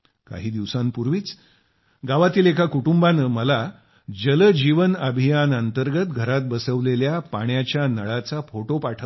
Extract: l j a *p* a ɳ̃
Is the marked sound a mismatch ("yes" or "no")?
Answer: no